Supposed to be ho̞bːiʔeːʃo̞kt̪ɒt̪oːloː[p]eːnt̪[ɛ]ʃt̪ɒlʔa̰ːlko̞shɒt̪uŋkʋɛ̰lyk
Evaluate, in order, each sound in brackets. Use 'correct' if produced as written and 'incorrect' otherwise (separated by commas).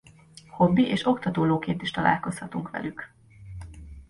incorrect, incorrect